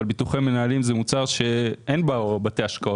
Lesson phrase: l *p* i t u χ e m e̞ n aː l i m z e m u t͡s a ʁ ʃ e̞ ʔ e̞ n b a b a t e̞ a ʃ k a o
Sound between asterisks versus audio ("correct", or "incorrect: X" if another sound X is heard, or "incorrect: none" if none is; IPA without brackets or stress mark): incorrect: b